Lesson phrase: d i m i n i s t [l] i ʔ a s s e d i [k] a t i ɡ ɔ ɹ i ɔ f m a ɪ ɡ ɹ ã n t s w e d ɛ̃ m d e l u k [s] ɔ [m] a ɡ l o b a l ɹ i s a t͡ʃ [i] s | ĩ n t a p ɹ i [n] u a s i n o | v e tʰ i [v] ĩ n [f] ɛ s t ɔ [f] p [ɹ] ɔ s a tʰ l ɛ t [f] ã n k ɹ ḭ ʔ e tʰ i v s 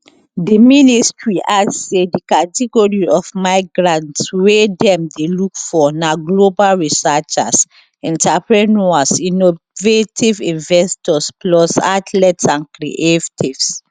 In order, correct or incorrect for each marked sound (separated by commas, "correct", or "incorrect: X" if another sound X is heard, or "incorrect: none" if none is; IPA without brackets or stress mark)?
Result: incorrect: ɹ, correct, incorrect: f, incorrect: n, incorrect: a, correct, correct, incorrect: v, incorrect: s, incorrect: l, incorrect: s